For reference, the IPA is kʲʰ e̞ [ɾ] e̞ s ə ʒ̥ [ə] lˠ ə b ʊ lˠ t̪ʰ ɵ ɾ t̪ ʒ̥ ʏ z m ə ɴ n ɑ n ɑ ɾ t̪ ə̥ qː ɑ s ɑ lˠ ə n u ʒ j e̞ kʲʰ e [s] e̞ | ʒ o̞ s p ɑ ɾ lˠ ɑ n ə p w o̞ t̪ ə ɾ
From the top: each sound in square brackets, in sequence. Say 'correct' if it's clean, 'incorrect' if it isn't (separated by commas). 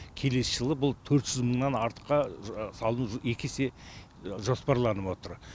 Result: incorrect, correct, correct